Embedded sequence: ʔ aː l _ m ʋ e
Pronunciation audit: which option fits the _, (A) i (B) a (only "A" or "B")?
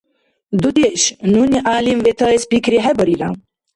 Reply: A